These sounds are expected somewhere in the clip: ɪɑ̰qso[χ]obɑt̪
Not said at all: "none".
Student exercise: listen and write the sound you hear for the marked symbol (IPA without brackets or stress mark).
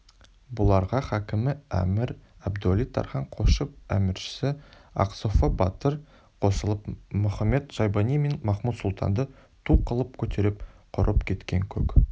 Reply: f